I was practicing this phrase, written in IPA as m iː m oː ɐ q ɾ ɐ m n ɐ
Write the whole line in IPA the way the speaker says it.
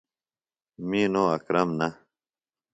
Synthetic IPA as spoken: m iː n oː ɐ k ɾ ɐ m n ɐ